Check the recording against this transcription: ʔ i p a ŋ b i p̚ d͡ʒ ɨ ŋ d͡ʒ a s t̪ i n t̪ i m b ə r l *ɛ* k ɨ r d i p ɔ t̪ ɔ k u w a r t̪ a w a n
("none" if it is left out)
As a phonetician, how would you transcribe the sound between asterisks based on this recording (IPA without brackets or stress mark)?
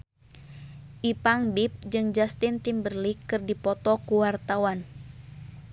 i